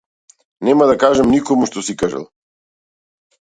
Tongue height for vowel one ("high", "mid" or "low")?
mid